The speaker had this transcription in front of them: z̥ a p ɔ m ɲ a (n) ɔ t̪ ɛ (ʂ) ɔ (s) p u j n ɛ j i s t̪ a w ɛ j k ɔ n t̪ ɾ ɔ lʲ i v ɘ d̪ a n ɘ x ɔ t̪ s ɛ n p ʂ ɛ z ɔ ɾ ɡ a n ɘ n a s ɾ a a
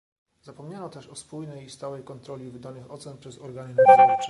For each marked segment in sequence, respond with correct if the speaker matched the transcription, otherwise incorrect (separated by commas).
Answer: correct, correct, correct